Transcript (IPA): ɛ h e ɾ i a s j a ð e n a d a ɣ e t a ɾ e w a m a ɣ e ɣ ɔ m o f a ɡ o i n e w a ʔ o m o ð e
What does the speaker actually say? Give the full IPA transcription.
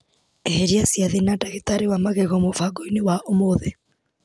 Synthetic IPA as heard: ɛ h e ɾ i a s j a ð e n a d a ɣ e t a ɾ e w a m a ɣ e ɣ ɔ m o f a ɡ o i n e w a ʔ o m o ð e